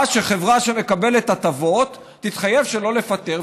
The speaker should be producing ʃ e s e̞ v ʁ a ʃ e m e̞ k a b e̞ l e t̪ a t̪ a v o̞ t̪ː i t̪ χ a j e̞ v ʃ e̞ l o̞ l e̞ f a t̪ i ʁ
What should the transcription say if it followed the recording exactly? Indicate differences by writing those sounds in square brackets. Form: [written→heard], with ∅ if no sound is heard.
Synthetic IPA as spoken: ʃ e [s→χ] e̞ v ʁ a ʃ e m e̞ k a b e̞ l e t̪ a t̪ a v o̞ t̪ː i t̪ χ a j e̞ v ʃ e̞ l o̞ l e̞ f a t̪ [i→e] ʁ

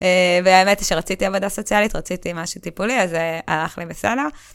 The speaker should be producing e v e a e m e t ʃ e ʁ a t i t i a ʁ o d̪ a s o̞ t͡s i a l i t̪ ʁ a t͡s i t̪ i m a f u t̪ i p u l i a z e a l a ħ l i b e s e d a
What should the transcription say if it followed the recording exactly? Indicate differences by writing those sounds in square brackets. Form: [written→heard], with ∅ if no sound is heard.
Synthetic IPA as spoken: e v e a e m e t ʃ e ʁ a [t→t͡s] i t i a [ʁ→v] o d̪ a s o̞ t͡s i a l i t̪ ʁ a t͡s i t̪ i m a [f→ʃ] u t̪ i p u l i a z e a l a [ħ→χ] l i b e s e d a

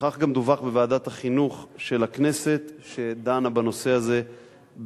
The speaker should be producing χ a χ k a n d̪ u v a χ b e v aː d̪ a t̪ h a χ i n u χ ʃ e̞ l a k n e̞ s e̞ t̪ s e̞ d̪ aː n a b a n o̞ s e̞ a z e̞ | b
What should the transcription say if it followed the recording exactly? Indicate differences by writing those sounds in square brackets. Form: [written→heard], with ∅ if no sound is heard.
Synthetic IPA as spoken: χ a χ [k→ɡ] a [n→m] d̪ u v a χ b e v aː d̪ a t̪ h a χ i n u χ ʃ e̞ l a k n e̞ s e̞ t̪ [s→ʃ] e̞ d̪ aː n a b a n o̞ s e̞ a z e̞ | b

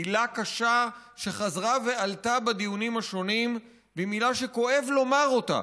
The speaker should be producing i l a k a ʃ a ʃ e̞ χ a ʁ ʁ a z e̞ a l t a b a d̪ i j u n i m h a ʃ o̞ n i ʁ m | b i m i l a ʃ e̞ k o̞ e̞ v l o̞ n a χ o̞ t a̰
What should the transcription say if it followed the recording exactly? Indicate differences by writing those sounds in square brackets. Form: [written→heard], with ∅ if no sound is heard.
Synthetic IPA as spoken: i l a k a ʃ a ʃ e̞ χ a [ʁ→z] ʁ a [z→v] e̞ a l t a b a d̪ i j u n i m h a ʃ o̞ n i [ʁ→∅] m | b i m i l a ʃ e̞ k o̞ e̞ v l o̞ [n→m] a [χ→ʁ] o̞ t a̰

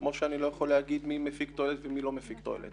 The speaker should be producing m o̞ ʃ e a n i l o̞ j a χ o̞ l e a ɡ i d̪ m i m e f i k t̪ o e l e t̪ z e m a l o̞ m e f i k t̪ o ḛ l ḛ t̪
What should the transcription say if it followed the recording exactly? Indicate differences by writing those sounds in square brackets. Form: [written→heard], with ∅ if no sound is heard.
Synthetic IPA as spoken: m o̞ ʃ e a n i l o̞ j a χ o̞ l e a ɡ i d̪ m i m e f i k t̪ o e l e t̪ [z→v] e m [a→i] l o̞ m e f i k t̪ o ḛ l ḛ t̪

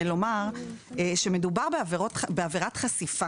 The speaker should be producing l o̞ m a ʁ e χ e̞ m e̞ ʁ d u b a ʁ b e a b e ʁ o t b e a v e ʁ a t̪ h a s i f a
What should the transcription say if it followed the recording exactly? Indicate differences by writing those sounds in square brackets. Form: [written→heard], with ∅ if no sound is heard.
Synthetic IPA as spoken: l o̞ m a ʁ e [χ→ʃ] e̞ m e̞ [ʁ→∅] d u b a ʁ b e a [b→v] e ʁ o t b e a v e ʁ a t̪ [h→χ] a s i f a

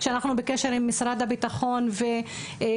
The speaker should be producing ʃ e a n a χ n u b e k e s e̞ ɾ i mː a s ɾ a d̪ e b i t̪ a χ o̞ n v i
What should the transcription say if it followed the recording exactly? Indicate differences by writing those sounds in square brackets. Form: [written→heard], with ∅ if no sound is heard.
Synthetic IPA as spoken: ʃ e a n a χ n u b e k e [s→ʃ] e̞ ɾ i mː [a→i] s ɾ a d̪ [e→a] b i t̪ a χ o̞ n v [i→e]

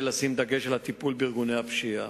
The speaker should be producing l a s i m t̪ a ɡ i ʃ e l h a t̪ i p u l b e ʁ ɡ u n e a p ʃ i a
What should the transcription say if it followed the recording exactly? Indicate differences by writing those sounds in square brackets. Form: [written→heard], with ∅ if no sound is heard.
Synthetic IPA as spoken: l a s i m [t̪→d̪] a ɡ [i→e] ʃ e l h a t̪ i p u l b [e→i] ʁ ɡ u n e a p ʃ i a

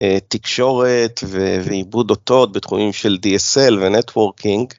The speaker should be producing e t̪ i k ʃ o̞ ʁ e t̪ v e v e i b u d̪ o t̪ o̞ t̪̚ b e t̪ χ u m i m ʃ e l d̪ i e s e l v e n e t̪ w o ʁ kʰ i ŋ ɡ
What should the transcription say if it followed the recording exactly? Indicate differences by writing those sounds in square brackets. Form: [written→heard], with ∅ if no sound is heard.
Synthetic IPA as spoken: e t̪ i k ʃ o̞ ʁ e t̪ v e v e i b u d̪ o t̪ o̞ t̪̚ b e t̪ χ u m i m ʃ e l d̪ i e s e l v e n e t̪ w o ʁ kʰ i ŋ ɡ

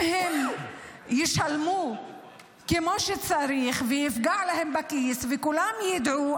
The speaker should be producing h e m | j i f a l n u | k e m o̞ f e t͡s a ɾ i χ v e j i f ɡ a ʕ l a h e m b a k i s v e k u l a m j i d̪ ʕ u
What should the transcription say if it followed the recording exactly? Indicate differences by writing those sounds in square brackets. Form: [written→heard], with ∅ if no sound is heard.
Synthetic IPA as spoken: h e m | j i [f→ʃ] a l [n→m] u | k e m o̞ [f→ʃ] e t͡s a ɾ i χ v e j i f ɡ a ʕ l a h e m b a k i s v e k u l a m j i d̪ ʕ u

